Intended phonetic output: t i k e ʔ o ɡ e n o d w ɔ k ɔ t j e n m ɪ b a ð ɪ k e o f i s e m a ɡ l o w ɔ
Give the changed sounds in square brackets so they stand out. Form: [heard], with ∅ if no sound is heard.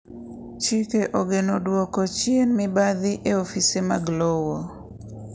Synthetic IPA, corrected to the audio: [t͡ʃ] i k e ʔ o ɡ e n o d w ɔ k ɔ [t͡ʃ] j e n m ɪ b a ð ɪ [ʔ] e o f i s e m a ɡ l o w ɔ